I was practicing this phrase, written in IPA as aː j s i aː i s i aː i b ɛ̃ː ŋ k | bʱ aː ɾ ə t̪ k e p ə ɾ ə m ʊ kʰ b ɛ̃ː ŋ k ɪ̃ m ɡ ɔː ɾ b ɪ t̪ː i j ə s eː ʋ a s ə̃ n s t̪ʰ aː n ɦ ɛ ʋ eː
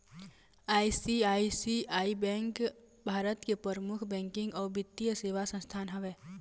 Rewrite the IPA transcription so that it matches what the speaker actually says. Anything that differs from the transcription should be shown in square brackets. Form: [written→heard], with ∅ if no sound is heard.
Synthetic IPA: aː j s i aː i s i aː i b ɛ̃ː ŋ k | bʱ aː ɾ ə t̪ k e p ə ɾ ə m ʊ kʰ b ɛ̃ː ŋ k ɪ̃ [m→ŋ] ɡ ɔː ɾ b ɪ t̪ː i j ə s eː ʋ a s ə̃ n s t̪ʰ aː n ɦ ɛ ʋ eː

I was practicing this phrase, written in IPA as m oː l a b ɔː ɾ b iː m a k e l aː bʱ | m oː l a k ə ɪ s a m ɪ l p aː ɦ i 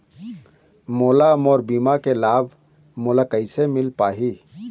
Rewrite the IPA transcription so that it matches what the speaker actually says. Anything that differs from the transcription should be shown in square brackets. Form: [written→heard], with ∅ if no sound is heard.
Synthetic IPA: m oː l a [b→m] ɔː ɾ b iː m a k e l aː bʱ | m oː l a k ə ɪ s [a→e] m ɪ l p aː ɦ i

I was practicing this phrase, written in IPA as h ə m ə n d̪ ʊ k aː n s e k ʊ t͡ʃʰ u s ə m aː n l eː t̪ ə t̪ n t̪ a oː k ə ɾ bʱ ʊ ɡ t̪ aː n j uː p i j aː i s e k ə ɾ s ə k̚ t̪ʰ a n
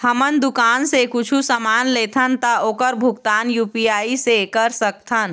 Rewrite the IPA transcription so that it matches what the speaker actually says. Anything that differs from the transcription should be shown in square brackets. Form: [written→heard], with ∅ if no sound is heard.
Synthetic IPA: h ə m ə n d̪ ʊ k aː n s e k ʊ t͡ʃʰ u s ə m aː n l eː [t̪→t̪ʰ] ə [t̪→∅] n t̪ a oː k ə ɾ bʱ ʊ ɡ t̪ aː n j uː p i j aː i s e k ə ɾ s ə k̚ t̪ʰ [a→ə] n

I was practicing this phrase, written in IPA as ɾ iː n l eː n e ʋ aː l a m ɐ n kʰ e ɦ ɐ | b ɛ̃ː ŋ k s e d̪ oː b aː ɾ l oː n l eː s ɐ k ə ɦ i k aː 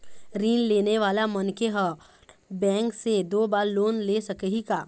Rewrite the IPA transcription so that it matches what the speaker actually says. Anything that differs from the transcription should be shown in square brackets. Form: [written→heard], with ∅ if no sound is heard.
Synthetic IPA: ɾ iː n l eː n e ʋ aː l a m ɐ n [kʰ→k] e ɦ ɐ | b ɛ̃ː ŋ k s e d̪ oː b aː ɾ l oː n l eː s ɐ k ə ɦ i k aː

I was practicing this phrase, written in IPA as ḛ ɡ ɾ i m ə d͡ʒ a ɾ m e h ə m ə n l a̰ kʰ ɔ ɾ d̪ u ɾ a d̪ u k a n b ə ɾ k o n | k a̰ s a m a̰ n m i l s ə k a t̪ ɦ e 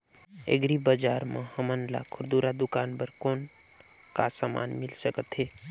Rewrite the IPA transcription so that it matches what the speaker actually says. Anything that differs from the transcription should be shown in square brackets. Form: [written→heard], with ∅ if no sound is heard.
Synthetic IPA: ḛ ɡ ɾ i [m→b] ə d͡ʒ a ɾ m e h ə m ə n l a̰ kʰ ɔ ɾ d̪ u ɾ a d̪ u k a n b ə ɾ k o n | k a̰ s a m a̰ n m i l s ə k [a→ə] t̪ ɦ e

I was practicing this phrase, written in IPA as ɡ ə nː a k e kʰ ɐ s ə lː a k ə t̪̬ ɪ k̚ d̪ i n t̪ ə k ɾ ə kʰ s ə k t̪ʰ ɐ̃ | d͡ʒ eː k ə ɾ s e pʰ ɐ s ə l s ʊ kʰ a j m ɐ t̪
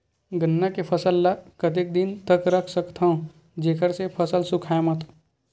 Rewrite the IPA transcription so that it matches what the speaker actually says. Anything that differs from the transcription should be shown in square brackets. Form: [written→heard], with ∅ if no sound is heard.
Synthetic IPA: ɡ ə nː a k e [kʰ→pʰ] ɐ s ə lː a k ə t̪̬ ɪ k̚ d̪ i n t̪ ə k ɾ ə kʰ s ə k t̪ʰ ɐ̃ | d͡ʒ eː k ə ɾ s e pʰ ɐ s ə l s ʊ kʰ a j m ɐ t̪

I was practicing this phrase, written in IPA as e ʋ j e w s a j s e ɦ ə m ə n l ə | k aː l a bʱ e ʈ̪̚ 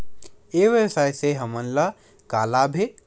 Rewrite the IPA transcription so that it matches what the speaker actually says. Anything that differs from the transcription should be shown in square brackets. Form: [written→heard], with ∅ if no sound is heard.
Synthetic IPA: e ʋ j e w s a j s e ɦ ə m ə n l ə | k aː l a bʱ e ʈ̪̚

